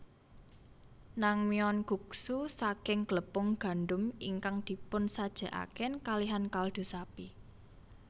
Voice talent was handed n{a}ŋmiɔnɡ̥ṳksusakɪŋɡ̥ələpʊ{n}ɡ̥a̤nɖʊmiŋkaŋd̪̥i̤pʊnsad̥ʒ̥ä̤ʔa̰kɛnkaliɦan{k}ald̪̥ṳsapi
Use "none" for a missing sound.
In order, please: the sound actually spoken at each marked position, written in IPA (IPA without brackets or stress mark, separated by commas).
a, ŋ, k